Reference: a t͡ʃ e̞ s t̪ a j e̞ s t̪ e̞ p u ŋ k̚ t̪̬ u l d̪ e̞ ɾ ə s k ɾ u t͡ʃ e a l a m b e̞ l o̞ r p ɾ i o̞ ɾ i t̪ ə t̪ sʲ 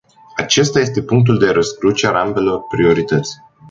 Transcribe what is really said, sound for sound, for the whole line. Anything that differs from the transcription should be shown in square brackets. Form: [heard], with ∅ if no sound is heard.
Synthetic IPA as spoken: a t͡ʃ e̞ s t̪ a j e̞ s t̪ e̞ p u ŋ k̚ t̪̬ u l d̪ e̞ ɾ ə s k ɾ u t͡ʃ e a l a m b e̞ l o̞ r p ɾ i o̞ ɾ i t̪ ə t̪ sʲ